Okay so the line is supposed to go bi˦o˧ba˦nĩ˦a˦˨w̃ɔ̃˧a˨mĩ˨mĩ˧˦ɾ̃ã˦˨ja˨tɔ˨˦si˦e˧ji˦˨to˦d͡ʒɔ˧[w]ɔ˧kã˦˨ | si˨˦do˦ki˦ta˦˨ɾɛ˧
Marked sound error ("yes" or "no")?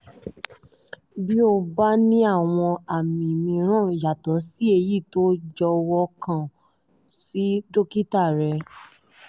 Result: no